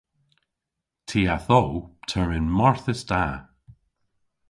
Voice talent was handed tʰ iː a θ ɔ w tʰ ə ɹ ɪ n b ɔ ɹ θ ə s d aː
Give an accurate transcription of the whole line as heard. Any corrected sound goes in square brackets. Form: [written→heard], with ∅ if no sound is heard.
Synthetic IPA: tʰ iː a θ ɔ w tʰ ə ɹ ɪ n [b→m] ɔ ɹ θ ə s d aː